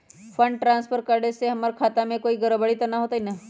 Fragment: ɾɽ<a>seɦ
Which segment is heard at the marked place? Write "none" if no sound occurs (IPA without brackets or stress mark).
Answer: e